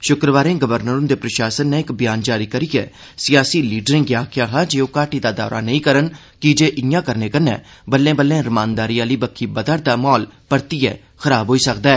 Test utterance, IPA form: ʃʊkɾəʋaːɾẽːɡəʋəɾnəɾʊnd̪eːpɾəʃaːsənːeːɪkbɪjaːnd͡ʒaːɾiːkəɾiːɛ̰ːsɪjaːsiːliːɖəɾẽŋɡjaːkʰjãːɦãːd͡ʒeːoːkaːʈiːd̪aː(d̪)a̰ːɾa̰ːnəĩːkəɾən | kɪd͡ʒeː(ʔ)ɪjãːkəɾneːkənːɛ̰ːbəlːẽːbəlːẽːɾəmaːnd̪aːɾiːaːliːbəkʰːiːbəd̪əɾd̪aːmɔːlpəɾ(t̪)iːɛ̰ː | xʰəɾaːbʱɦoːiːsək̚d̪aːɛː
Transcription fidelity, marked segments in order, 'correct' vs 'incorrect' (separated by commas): correct, correct, correct